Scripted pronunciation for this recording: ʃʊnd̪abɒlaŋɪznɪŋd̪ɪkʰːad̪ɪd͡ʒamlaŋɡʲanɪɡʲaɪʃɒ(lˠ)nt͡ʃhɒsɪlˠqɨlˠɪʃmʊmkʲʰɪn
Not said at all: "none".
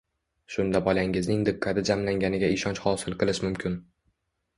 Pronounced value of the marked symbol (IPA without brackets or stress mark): none